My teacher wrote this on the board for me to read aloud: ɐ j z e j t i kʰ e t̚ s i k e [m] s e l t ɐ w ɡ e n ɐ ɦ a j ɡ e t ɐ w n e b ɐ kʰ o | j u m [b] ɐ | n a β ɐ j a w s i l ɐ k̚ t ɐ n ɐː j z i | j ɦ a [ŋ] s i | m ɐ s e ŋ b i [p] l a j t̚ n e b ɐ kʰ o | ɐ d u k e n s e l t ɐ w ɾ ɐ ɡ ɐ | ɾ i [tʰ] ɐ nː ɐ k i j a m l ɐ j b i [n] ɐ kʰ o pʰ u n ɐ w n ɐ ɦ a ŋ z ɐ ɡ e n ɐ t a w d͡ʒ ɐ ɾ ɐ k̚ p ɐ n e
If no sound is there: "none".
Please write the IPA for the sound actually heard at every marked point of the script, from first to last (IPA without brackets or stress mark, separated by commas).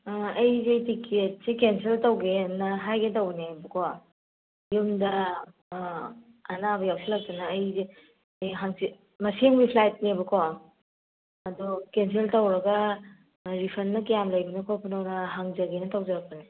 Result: n, d, ŋ, pʰ, pʰ, n